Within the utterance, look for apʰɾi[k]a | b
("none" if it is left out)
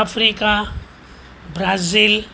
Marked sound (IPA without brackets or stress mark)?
k